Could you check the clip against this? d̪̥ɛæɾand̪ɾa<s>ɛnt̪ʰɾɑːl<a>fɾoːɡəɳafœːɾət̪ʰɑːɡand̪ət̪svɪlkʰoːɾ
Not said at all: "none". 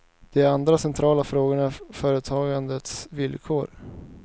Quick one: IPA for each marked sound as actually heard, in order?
s, a

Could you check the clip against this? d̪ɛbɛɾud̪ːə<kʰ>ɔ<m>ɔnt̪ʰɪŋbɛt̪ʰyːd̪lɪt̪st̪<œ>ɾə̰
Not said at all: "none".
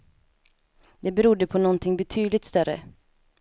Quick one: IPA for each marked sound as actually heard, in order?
pʰ, n, œ

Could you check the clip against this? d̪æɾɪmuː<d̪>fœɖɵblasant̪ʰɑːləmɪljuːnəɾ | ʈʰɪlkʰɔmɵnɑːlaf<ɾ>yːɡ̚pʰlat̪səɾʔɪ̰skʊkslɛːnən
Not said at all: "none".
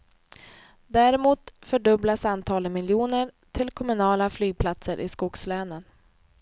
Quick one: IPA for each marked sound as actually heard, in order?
t̪, l

